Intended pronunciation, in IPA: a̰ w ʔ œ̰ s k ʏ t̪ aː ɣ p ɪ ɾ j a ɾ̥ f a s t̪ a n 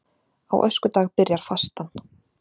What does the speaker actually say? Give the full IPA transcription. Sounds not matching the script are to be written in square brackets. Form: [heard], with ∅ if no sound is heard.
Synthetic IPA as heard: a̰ w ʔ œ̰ s k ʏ t̪ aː ɣ p ɪ ɾ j a ɾ̥ f a s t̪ a n